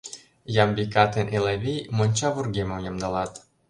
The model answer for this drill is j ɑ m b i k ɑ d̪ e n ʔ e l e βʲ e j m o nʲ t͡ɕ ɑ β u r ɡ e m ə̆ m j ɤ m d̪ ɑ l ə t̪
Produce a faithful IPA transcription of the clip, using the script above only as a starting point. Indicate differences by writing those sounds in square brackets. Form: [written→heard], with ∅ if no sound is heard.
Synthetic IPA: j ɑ m b i k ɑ [d̪→t̪] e n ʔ e l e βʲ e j m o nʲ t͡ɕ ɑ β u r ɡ e m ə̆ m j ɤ m d̪ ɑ l [ə→ɑ] t̪